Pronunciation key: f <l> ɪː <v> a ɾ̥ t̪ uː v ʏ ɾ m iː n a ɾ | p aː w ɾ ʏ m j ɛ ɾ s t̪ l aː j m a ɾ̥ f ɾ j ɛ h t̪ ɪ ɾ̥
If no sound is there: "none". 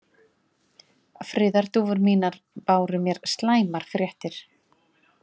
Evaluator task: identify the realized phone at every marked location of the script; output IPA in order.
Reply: ɾ, ð

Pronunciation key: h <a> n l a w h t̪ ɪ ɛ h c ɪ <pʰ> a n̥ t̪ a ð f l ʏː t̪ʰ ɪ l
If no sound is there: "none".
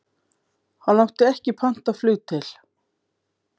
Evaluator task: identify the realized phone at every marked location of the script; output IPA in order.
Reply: a, pʰ

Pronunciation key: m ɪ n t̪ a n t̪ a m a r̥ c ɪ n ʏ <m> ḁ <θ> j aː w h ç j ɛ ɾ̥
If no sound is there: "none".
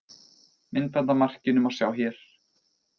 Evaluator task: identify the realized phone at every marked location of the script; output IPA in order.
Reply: m, s

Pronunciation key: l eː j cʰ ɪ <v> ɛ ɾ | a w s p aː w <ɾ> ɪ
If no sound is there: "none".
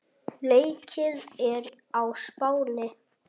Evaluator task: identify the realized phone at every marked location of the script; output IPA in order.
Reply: ð, l

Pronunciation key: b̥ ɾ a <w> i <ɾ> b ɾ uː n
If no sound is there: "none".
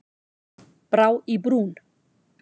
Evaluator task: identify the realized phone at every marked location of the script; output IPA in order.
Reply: w, none

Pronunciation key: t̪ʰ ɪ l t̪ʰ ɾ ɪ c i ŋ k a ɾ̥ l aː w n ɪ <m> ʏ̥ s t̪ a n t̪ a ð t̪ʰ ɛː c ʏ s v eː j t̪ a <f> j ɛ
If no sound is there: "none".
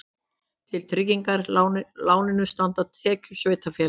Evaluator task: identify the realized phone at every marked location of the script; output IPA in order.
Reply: n, f

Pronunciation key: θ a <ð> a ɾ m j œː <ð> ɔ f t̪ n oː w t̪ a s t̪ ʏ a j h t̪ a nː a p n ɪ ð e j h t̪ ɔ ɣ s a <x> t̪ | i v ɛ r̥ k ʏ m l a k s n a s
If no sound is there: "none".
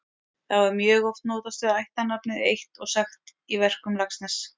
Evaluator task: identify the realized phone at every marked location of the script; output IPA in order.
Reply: v, ɣ, x

